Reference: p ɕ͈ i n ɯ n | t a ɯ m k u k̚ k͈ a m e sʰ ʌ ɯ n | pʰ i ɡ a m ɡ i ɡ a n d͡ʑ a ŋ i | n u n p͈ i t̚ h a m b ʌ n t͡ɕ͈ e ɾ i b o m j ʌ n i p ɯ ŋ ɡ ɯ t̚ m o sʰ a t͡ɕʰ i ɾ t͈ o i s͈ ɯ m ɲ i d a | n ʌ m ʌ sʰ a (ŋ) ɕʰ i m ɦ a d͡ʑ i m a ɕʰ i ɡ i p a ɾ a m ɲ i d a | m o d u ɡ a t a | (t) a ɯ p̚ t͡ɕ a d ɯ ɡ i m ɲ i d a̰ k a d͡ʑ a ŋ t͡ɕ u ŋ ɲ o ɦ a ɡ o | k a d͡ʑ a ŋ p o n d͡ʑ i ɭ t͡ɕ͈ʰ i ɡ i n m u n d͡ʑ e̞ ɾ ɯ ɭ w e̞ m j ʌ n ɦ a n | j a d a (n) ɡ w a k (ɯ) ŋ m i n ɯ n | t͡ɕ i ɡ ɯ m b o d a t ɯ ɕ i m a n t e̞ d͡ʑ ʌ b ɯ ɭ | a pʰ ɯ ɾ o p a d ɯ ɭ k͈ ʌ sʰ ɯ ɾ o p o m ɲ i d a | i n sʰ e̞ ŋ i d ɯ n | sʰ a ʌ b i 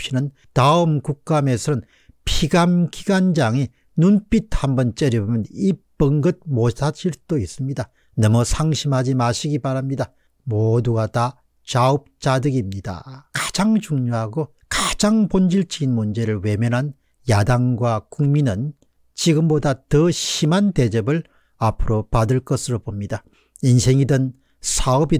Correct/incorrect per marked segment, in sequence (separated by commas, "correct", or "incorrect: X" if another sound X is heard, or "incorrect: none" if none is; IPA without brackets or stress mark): correct, incorrect: t͡ɕ, incorrect: ŋ, incorrect: u